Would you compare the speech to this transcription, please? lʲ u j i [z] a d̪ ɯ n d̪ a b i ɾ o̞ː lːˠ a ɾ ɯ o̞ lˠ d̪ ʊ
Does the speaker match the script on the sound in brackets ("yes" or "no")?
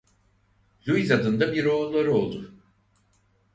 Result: yes